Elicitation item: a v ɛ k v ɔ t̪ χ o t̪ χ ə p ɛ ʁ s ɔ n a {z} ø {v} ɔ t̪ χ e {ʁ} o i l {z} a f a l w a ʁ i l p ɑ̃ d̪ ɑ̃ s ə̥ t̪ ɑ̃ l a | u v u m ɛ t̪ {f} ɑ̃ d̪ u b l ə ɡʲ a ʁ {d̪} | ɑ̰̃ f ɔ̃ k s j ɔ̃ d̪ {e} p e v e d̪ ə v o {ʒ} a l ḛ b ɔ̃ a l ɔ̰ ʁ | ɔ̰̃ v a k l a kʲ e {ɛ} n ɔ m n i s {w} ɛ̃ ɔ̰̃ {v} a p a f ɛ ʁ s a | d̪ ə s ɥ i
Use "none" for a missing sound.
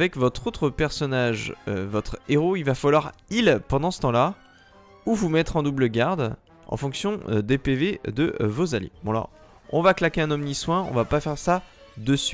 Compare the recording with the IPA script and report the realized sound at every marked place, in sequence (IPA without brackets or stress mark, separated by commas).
ʒ, v, ʁ, v, χ, d̪, e, z, ɛ̃, w, v